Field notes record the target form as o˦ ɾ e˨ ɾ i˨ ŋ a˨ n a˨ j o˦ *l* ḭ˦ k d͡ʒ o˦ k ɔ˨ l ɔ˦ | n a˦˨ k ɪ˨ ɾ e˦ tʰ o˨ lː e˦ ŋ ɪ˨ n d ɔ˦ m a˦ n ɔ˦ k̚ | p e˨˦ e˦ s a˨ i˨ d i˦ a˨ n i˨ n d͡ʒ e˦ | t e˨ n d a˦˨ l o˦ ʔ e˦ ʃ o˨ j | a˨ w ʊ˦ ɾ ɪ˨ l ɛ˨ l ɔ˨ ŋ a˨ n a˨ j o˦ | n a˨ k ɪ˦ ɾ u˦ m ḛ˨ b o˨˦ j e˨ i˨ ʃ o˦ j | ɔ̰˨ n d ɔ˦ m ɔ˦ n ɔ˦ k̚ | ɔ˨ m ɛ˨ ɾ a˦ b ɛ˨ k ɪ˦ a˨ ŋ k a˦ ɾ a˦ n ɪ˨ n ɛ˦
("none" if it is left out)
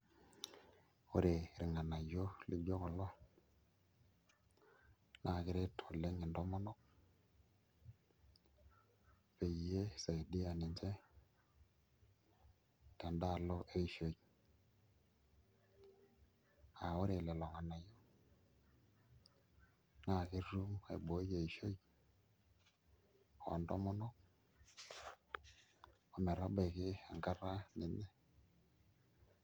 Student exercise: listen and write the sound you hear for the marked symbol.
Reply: l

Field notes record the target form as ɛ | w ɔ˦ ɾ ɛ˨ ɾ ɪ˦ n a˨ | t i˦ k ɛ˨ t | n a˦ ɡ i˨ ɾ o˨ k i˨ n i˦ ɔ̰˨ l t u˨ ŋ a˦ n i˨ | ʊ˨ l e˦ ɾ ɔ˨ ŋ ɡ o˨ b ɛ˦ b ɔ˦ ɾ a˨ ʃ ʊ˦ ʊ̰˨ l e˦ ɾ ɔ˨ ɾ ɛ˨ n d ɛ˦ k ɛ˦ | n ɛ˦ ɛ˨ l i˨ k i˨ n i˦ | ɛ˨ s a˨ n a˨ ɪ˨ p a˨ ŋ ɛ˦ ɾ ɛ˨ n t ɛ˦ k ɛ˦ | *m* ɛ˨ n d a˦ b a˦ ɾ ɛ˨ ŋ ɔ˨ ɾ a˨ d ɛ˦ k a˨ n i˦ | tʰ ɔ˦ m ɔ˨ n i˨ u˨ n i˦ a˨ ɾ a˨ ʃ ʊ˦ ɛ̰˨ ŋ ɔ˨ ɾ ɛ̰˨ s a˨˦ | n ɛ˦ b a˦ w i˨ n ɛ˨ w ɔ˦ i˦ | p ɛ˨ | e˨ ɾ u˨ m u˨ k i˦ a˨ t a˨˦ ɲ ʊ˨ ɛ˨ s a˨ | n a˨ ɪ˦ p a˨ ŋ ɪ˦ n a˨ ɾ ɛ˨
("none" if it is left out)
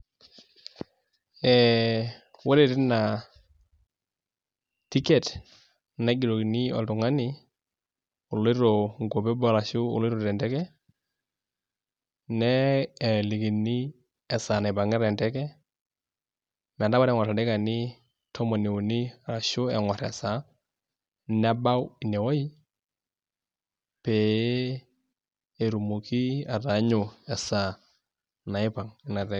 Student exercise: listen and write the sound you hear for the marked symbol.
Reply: m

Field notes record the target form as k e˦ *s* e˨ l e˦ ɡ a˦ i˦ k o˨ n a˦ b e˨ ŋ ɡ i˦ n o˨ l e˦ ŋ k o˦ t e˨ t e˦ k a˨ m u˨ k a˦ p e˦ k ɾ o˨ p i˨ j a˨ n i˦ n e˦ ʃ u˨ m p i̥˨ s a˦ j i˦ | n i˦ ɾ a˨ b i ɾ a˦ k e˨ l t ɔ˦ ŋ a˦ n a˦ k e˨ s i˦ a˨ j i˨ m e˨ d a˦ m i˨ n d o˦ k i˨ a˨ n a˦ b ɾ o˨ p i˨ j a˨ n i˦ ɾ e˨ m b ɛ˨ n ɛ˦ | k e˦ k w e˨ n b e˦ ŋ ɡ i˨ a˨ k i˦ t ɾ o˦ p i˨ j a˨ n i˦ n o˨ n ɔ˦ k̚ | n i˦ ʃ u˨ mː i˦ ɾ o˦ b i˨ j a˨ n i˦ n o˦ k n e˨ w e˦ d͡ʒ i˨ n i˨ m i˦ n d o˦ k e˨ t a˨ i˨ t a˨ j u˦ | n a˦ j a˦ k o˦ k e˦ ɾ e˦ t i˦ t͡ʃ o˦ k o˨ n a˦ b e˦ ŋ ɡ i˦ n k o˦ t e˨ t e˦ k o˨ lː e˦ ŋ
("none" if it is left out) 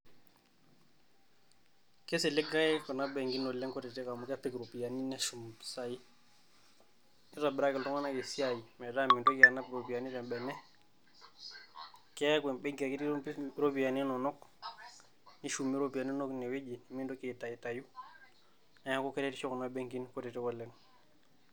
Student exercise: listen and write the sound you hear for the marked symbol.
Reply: s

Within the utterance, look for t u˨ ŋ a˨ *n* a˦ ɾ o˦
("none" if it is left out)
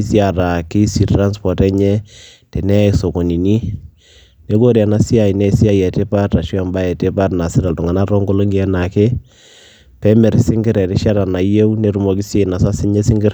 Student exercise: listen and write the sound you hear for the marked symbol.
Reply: n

